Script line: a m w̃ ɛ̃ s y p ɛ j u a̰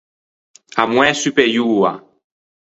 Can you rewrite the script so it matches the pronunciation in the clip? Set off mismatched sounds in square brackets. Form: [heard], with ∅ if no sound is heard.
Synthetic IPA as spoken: a m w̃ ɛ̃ s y p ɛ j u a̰